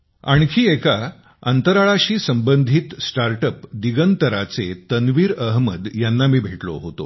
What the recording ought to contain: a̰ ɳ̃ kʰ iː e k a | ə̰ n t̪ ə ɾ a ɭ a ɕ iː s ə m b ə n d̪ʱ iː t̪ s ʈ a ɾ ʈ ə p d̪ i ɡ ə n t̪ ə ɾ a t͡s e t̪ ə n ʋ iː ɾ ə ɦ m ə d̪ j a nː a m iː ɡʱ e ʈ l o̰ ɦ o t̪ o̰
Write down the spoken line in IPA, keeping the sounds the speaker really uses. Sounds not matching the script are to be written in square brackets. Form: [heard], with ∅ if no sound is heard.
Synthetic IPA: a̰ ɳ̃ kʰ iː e k a | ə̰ n t̪ ə ɾ a ɭ a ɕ iː s ə m b ə n d̪ʱ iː t̪ s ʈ a ɾ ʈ ə p d̪ i ɡ ə n t̪ ə ɾ a t͡s e t̪ ə n ʋ iː ɾ ə ɦ m ə d̪ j a nː a m iː [bʱ] e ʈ l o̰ ɦ o t̪ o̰